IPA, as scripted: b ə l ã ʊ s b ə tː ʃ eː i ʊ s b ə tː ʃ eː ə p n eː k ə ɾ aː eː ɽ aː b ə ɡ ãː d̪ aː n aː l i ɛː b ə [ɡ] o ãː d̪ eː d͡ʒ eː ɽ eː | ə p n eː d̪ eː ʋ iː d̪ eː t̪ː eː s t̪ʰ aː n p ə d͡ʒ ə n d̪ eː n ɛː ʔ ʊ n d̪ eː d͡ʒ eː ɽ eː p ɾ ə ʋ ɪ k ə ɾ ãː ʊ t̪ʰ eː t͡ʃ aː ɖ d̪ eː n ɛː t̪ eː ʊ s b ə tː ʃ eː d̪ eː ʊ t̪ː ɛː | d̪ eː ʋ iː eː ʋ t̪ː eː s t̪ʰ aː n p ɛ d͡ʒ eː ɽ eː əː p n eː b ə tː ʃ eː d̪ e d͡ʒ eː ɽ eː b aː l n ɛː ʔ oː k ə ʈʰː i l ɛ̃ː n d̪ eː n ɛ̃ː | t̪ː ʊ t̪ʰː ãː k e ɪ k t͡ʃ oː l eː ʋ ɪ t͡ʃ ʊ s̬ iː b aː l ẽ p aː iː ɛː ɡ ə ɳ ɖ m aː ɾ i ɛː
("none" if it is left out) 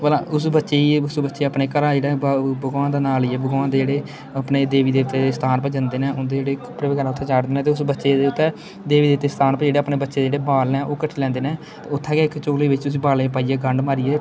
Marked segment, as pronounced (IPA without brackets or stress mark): ɡ